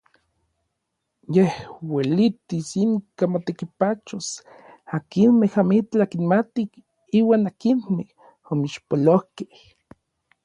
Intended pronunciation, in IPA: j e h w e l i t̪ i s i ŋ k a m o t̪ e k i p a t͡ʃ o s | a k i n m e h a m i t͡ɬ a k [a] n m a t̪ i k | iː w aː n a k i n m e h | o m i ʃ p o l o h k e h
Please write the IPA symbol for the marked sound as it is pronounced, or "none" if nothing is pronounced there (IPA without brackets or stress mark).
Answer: i